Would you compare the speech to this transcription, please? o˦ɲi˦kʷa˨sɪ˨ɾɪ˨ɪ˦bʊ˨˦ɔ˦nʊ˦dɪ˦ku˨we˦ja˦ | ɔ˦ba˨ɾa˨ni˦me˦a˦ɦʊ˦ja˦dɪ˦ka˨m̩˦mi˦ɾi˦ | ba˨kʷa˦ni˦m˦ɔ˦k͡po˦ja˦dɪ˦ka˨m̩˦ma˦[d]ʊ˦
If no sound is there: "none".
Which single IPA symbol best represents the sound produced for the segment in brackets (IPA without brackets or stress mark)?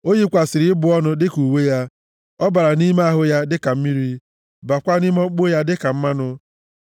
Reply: n